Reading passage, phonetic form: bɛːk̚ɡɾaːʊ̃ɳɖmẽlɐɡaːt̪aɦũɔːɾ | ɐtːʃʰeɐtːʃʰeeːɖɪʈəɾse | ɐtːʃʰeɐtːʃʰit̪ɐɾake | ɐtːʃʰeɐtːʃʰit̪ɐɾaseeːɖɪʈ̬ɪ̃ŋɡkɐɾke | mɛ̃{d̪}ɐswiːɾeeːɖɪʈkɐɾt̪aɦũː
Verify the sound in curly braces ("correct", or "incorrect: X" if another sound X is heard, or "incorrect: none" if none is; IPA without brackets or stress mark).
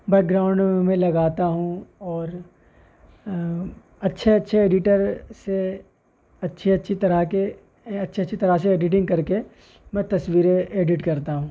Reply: incorrect: t̪